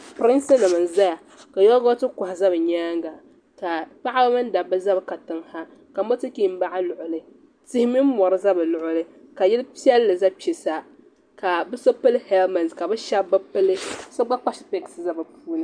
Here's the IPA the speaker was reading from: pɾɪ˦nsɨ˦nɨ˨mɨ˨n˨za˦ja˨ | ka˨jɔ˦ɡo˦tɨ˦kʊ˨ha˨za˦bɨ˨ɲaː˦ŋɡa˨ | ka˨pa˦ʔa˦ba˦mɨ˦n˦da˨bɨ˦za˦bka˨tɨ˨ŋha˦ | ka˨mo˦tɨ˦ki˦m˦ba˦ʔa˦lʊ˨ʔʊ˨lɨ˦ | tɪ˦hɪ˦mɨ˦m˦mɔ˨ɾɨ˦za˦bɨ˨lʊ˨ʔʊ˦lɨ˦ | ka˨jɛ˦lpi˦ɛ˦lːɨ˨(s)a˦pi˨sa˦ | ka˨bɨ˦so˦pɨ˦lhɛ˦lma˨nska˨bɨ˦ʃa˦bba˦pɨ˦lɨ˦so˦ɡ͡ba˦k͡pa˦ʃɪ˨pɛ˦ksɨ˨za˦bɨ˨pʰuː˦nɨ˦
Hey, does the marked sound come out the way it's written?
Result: no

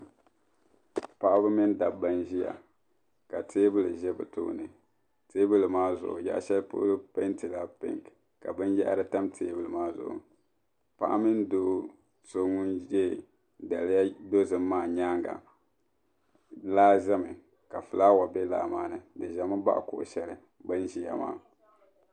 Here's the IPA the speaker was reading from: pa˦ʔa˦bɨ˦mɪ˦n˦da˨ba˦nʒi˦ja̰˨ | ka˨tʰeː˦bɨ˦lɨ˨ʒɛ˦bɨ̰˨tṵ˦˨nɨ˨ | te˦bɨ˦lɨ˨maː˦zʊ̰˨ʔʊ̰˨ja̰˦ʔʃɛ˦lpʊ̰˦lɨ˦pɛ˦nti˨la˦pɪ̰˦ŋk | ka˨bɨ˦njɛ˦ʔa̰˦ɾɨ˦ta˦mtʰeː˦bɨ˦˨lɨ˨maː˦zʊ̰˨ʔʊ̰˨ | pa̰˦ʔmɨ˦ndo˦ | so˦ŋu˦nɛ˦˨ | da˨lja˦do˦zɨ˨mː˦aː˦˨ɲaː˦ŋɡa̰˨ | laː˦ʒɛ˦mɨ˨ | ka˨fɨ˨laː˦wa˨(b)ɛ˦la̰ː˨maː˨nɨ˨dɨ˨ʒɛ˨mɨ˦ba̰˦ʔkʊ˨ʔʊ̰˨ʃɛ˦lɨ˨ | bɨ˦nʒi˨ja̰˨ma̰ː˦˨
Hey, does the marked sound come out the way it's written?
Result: yes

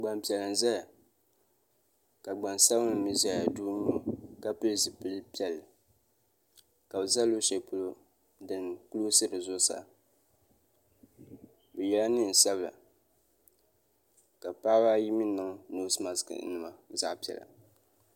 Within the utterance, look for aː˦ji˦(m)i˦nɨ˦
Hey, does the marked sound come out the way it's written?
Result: yes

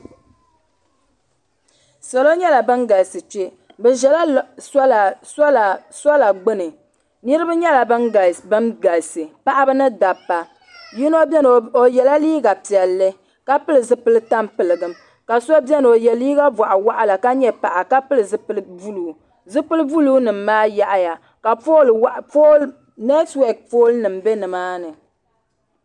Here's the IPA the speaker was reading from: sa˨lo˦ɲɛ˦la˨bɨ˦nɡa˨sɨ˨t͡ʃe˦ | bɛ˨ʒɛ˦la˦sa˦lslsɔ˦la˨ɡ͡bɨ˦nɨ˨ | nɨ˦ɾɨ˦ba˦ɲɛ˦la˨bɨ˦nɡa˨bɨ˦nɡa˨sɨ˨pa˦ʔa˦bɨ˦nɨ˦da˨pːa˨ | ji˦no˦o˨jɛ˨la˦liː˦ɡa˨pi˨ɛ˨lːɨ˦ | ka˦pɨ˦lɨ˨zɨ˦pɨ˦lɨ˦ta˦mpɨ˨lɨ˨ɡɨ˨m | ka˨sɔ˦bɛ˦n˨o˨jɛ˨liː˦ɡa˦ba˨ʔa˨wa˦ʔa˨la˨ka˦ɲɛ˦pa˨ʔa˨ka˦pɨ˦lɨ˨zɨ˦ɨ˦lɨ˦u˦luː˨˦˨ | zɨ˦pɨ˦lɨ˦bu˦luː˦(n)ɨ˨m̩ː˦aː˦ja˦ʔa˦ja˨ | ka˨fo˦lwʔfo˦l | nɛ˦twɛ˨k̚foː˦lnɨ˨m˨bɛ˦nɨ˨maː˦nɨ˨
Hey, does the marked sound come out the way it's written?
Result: yes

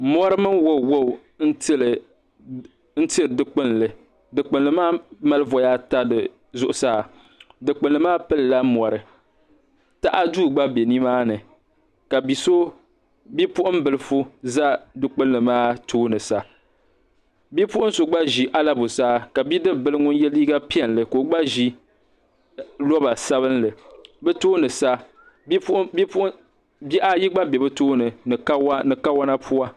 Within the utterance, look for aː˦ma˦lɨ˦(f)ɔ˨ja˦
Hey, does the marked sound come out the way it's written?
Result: no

